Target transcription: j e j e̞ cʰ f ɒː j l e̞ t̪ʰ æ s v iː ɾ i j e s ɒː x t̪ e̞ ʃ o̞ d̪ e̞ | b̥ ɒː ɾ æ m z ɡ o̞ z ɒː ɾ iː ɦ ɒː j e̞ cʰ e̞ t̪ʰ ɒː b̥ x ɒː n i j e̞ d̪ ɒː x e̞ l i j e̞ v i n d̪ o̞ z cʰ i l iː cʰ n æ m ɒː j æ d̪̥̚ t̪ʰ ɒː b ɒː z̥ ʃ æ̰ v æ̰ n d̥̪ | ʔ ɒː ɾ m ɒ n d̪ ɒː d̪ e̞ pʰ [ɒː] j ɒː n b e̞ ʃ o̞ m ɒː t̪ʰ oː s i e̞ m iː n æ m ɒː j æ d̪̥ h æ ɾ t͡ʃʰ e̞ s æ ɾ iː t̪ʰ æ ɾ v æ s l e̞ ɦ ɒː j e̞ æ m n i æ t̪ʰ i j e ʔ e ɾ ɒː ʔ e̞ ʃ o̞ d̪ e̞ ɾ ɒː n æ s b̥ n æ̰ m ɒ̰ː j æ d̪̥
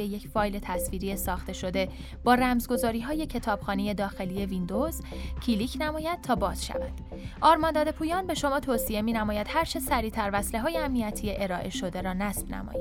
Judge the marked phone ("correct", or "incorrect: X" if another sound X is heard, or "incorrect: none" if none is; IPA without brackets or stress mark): incorrect: uː